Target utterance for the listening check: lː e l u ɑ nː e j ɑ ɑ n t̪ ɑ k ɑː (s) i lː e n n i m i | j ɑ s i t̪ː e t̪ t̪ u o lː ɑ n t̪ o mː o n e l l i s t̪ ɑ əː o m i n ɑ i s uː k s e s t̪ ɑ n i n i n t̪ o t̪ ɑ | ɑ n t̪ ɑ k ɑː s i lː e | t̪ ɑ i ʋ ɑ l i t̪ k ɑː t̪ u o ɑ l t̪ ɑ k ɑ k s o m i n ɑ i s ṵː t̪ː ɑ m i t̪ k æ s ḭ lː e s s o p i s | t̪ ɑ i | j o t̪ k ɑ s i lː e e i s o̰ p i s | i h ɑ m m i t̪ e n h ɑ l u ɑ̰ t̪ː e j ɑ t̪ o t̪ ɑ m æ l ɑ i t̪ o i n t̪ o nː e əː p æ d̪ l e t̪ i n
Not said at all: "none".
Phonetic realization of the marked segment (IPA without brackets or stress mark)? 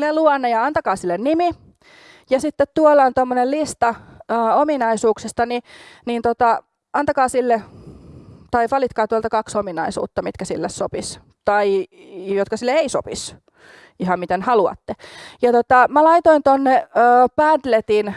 s